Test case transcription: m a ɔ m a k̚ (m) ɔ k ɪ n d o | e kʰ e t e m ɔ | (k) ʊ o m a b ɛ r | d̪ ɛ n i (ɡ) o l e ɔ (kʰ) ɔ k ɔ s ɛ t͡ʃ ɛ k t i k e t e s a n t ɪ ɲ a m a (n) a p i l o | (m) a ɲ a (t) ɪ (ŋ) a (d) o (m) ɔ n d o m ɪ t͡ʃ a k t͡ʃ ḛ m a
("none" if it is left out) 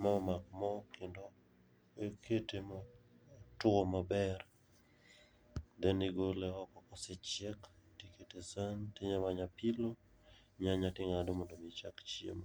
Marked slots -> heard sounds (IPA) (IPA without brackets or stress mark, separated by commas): m, t, ɡ, k, ɲ, ɲ, t, ŋ, d, m